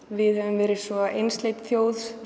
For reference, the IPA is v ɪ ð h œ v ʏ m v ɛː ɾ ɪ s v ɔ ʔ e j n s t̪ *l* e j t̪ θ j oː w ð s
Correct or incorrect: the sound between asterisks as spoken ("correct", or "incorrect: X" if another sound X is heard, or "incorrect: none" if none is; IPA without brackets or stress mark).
correct